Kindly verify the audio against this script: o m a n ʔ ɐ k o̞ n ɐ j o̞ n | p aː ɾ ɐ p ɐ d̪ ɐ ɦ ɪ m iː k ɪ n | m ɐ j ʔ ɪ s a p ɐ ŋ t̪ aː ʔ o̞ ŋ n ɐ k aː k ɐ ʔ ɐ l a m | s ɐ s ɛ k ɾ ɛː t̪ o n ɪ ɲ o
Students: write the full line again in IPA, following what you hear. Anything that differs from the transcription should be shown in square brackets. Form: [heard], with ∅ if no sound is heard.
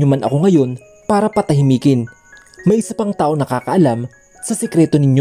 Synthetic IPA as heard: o m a n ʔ ɐ k o̞ [ŋ] ɐ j o̞ n | p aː ɾ ɐ p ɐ [t̪] ɐ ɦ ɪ m iː k ɪ n | m ɐ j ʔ ɪ s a p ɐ ŋ t̪ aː ʔ o̞ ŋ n ɐ k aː k ɐ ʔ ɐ l a m | s ɐ s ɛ k ɾ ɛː t̪ o n ɪ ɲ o